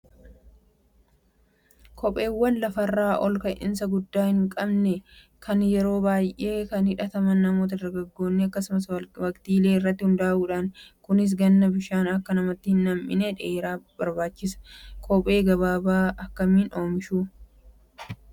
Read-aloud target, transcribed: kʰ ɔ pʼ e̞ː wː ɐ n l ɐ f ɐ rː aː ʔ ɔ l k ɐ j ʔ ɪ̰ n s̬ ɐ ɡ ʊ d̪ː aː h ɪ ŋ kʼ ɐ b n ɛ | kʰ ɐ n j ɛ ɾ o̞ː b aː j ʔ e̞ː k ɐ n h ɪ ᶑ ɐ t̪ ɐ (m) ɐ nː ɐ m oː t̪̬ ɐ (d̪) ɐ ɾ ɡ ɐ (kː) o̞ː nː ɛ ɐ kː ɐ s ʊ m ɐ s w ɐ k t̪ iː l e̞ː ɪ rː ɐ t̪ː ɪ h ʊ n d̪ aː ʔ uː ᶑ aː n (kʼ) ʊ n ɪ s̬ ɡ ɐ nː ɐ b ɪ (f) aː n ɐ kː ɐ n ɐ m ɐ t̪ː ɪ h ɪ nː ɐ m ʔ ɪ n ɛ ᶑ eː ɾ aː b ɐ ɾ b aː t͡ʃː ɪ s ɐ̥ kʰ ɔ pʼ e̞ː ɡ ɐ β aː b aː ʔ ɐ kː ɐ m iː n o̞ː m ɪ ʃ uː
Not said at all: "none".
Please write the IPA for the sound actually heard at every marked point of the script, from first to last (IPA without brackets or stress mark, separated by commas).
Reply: m, d̪, ɡː, k, ʃ